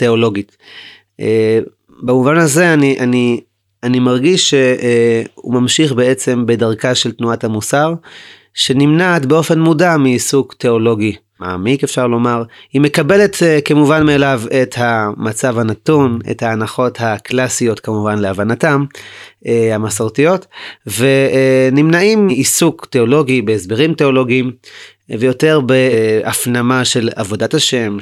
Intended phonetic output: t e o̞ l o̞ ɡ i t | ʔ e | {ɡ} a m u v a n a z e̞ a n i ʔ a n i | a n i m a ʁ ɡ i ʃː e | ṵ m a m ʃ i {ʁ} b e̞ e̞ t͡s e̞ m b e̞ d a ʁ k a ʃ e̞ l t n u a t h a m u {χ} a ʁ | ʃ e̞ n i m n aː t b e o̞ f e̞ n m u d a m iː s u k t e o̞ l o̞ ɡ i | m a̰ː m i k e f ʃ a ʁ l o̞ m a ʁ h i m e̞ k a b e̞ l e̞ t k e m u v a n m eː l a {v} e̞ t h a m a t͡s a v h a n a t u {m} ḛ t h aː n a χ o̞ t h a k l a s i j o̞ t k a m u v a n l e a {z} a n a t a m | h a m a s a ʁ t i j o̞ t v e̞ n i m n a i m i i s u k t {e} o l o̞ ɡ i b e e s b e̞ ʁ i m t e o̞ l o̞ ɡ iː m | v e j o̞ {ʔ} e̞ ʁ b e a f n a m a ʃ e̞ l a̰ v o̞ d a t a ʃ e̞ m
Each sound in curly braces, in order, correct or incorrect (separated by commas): incorrect, incorrect, incorrect, correct, incorrect, incorrect, correct, incorrect